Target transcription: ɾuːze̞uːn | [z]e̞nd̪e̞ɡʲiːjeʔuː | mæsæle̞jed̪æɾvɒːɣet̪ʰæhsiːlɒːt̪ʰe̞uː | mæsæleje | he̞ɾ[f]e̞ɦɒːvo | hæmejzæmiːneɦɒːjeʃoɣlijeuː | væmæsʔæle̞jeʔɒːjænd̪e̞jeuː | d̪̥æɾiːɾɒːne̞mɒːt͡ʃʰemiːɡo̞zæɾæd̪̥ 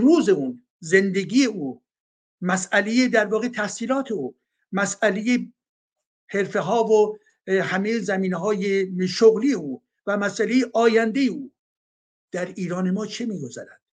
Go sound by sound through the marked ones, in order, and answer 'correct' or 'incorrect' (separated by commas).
correct, correct